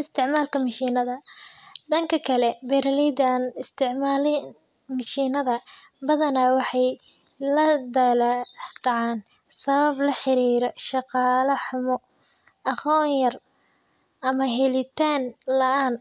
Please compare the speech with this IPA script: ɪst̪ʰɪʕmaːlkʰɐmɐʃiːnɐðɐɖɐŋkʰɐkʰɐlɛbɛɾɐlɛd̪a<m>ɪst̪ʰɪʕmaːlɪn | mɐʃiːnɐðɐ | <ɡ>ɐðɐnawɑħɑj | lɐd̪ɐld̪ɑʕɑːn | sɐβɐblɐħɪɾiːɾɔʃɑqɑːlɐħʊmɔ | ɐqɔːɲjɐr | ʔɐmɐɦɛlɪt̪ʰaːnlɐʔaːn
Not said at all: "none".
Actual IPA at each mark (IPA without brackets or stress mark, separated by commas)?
n, b